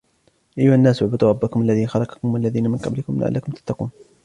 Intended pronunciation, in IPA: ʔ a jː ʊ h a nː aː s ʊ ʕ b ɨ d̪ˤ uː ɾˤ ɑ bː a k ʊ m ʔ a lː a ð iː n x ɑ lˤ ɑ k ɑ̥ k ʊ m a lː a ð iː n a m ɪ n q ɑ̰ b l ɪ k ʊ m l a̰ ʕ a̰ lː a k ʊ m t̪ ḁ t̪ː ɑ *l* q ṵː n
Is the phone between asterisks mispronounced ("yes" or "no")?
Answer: yes